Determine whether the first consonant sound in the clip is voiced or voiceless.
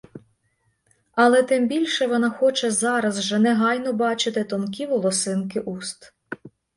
voiced